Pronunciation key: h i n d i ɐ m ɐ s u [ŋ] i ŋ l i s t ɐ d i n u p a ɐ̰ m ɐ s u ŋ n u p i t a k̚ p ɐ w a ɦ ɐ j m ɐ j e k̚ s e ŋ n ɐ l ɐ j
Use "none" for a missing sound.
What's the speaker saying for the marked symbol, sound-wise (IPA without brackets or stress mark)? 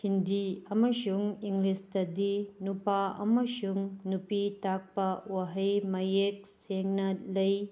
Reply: ŋ